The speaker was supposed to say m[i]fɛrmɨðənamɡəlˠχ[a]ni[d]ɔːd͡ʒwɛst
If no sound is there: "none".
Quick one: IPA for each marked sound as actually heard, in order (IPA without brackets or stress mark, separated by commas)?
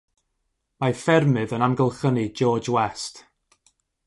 a, ə, d͡ʒ